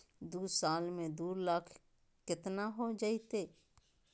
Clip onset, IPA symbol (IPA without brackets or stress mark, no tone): d̪